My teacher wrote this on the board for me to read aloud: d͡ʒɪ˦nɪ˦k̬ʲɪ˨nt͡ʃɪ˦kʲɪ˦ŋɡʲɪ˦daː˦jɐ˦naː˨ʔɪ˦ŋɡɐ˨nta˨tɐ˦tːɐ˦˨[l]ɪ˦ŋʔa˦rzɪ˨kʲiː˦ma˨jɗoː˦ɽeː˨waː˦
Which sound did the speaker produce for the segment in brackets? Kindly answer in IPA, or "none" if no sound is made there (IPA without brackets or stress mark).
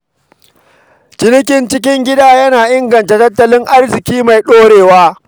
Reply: l